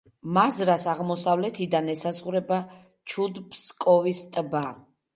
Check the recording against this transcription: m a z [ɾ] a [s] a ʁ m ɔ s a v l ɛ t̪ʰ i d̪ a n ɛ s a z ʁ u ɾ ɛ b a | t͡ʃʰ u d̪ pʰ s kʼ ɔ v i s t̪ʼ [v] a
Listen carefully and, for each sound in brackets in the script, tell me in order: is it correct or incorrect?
correct, correct, incorrect

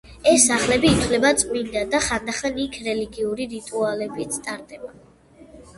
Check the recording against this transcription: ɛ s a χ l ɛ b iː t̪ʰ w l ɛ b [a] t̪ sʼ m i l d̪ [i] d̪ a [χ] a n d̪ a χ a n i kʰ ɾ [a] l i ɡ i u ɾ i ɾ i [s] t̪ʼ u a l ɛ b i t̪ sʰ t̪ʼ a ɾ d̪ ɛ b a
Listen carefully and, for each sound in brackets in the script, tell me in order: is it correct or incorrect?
correct, incorrect, correct, incorrect, incorrect

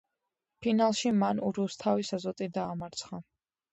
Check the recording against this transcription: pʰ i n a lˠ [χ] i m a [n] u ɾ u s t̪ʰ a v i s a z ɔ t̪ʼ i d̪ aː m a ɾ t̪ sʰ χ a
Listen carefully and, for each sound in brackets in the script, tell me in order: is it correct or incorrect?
incorrect, correct

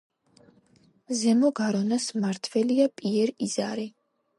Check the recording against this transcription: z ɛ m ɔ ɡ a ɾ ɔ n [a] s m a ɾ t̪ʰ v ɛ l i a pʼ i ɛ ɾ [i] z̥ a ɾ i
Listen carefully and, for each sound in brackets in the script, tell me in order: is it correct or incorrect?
correct, correct

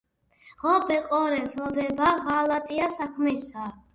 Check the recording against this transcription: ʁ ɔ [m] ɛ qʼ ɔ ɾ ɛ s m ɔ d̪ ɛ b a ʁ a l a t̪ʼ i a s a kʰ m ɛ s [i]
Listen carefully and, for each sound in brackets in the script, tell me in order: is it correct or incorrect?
incorrect, incorrect

